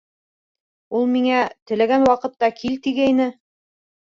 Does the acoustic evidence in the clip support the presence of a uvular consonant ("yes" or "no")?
yes